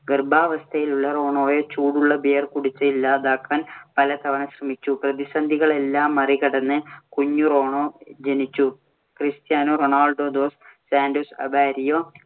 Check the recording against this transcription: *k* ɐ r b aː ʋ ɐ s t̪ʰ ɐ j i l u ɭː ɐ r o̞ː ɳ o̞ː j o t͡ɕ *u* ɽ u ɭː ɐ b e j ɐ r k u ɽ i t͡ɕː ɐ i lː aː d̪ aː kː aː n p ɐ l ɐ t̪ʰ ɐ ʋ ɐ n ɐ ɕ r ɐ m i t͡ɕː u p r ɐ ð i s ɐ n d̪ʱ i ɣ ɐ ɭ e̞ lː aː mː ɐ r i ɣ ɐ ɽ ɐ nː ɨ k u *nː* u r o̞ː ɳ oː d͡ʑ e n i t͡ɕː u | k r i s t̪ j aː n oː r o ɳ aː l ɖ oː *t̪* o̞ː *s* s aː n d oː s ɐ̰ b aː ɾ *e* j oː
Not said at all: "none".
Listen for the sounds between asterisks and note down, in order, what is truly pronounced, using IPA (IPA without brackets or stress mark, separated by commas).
ɡ, uː, ɲː, d̪, s, i